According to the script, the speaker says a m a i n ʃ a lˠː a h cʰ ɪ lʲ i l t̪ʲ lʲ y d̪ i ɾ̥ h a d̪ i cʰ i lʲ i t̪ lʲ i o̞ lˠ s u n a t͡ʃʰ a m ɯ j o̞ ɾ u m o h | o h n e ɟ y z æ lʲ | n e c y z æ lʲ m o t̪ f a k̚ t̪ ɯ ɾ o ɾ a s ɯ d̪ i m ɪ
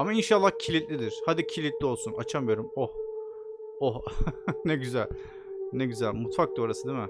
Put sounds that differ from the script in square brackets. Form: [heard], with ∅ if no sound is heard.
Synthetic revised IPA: a m a i n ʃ a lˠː a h cʰ [i] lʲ i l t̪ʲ lʲ [i] d̪ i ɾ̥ h a d̪ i cʰ i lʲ i t̪ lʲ i o̞ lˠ s u n a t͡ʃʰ a m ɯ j o̞ ɾ u m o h | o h n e ɟ y z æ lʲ | n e [ɟ] y z æ lʲ m [u] t̪ f a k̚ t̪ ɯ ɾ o ɾ a s ɯ d̪ i m ɪ